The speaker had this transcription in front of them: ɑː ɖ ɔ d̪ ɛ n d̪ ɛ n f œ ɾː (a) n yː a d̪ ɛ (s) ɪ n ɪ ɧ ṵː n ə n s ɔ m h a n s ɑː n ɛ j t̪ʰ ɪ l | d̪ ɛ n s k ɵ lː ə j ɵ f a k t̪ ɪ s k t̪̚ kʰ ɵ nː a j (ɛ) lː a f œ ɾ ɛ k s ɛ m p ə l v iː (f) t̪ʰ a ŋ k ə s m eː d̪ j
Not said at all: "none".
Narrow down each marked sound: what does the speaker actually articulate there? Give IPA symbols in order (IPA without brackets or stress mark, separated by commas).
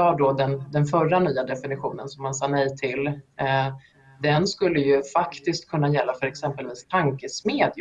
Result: a, f, ɛ, s